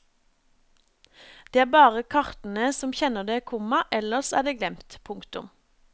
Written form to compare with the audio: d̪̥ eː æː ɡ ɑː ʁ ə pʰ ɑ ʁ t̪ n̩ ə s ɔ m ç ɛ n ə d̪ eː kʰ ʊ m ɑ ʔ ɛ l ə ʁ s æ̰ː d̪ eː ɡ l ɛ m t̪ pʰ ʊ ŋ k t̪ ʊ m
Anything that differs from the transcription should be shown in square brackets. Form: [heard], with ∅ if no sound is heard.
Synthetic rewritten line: d̪̥ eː æː [b] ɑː ʁ ə [kʰ] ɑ ʁ t̪ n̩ ə s ɔ m ç ɛ n ə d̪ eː kʰ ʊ m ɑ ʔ ɛ l ə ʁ s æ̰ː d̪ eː ɡ l ɛ m t̪ pʰ ʊ ŋ k t̪ ʊ m

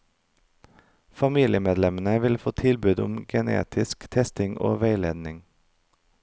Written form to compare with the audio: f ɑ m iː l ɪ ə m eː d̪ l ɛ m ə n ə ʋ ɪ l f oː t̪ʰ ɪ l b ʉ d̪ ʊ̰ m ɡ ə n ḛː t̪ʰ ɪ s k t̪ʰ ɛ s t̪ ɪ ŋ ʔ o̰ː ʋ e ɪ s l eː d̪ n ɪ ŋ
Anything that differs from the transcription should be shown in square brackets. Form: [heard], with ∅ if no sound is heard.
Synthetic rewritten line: f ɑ m iː l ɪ ə m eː d̪ l ɛ m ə n ə ʋ ɪ l f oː t̪ʰ ɪ l b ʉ d̪ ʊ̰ m ɡ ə n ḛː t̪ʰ ɪ s k t̪ʰ ɛ s t̪ ɪ ŋ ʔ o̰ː ʋ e ɪ [∅] l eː d̪ n ɪ ŋ

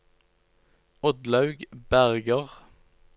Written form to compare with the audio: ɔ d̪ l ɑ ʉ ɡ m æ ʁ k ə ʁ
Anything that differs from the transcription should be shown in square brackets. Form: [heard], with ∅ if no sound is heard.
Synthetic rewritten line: ɔ d̪ l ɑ ʉ ɡ [b] æ ʁ [ɡ] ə ʁ

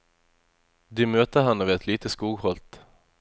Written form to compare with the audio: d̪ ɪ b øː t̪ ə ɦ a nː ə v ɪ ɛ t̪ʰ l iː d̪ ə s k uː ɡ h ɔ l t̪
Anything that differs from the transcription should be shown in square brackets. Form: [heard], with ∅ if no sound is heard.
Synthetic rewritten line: d̪ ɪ [m] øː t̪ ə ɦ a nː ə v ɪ ɛ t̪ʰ l iː [t̪] ə s k uː ɡ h ɔ l t̪

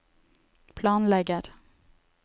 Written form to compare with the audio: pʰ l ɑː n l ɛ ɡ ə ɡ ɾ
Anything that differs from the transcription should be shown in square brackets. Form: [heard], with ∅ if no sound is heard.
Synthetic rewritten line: pʰ l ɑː n l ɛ ɡ ə [∅] ɾ

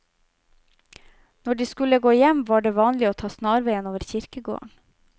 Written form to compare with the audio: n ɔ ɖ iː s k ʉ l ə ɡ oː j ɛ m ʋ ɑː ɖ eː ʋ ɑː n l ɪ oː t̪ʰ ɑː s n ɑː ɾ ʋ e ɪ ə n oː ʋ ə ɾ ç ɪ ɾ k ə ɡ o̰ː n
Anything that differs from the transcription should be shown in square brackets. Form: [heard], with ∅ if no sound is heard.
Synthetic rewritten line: n ɔ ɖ iː s k ʉ l ə ɡ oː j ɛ m ʋ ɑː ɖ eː ʋ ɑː n l ɪ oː t̪ʰ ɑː s n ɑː ɾ ʋ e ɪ ə n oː ʋ ə ɾ ç ɪ ɾ k ə ɡ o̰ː [ɳ]

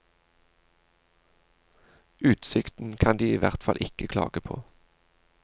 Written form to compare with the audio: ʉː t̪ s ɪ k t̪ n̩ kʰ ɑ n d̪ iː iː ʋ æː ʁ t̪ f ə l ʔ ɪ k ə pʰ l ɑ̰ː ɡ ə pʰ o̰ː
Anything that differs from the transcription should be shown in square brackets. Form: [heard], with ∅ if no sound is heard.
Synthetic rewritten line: ʉː t̪ s ɪ k t̪ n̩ kʰ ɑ n d̪ iː iː ʋ [æ] ʁ t̪ f [ɑ] l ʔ ɪ k ə [kʰ] l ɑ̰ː ɡ ə pʰ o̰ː

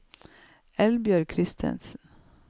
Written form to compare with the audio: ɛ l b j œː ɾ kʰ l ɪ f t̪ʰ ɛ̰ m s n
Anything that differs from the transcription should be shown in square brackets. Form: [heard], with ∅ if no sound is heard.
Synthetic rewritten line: ɛ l b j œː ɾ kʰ [ɾ] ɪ [s] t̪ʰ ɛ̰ [n] s n

